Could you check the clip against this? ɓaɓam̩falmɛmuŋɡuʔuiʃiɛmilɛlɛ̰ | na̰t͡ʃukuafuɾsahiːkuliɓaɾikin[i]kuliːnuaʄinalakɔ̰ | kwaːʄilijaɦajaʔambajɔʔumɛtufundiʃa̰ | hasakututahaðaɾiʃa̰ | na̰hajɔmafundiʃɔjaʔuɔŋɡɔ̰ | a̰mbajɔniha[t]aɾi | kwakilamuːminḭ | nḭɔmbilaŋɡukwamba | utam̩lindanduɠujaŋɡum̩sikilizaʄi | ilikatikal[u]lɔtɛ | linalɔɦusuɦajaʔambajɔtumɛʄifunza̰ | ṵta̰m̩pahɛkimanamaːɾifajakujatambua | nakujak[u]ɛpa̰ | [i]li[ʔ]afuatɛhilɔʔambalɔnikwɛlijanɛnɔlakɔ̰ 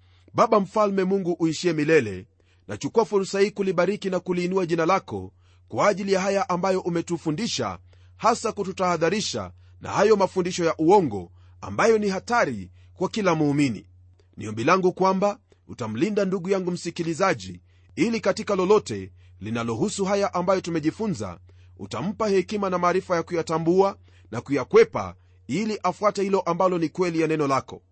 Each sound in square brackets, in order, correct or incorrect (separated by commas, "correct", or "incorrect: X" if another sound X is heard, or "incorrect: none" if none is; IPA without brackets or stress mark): incorrect: a, correct, incorrect: ɔ, incorrect: w, correct, correct